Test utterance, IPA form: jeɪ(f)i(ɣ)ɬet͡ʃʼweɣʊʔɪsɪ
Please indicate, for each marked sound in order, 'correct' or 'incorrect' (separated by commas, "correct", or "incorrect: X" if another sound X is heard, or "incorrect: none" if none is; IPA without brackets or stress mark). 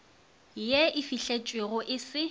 correct, incorrect: none